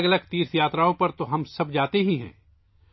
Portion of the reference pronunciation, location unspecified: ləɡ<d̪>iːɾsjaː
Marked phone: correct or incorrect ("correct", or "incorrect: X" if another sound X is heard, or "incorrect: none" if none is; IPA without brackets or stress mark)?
incorrect: t̪